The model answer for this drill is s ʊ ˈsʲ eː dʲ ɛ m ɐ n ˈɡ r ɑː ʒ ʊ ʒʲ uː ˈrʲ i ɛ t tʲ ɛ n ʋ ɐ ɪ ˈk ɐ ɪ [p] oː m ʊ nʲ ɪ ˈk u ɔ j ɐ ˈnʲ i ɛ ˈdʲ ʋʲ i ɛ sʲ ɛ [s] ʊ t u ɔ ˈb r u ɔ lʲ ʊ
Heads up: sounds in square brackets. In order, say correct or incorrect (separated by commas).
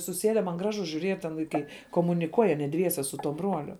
incorrect, correct